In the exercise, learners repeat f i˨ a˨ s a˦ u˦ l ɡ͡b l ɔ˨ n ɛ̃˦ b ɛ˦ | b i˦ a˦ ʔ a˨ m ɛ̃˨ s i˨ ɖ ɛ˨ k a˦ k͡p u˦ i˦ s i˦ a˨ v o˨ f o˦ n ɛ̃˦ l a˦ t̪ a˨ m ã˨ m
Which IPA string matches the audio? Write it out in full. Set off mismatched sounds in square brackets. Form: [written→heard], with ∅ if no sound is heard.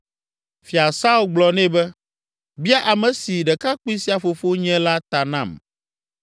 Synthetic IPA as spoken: f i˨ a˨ s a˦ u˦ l ɡ͡b l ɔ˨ n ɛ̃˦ b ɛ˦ | b i˦ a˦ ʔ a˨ m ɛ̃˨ s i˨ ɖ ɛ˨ k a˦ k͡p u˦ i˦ s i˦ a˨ [v→f] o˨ f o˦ [n→ɲ] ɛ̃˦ l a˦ t̪ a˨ [m→n] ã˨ m